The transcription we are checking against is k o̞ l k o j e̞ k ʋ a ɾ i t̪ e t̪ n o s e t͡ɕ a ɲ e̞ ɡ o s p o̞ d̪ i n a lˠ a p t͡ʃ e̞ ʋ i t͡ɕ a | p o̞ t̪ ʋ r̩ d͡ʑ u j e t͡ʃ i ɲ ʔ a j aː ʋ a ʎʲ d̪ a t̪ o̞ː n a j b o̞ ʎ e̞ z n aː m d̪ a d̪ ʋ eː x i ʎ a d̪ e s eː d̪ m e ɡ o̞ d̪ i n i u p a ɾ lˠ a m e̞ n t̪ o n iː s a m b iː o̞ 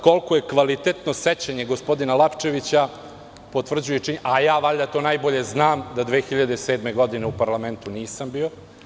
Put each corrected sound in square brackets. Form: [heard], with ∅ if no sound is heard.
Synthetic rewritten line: k o̞ l k o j e̞ k ʋ a [l] i t̪ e t̪ n o s e t͡ɕ a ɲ e̞ ɡ o s p o̞ d̪ i n a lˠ a p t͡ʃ e̞ ʋ i t͡ɕ a | p o̞ t̪ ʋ r̩ d͡ʑ u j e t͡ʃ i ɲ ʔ a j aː ʋ a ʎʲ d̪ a t̪ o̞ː n a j b o̞ ʎ e̞ z n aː m d̪ a d̪ ʋ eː x i ʎ a d̪ e s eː d̪ m e ɡ o̞ d̪ i n [e] u p a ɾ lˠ a m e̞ n t̪ [u] n iː s a m b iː o̞